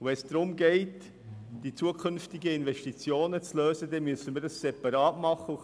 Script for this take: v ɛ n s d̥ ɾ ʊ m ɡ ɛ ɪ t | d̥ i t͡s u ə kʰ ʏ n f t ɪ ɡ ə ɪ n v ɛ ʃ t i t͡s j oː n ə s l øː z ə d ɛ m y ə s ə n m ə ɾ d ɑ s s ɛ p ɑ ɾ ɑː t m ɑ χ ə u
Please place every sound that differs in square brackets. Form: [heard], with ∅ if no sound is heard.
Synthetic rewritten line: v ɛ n s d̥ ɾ ʊ m ɡ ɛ ɪ t | d̥ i t͡s u ə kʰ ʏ n f t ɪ ɡ ə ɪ n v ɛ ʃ t i t͡s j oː n ə [t͡s] l øː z ə d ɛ m y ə s ə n m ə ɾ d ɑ s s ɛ p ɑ ɾ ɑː t m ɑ χ ə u